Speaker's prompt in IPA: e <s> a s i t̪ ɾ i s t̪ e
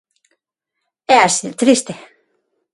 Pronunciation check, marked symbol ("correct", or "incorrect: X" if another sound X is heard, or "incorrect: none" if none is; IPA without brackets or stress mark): incorrect: none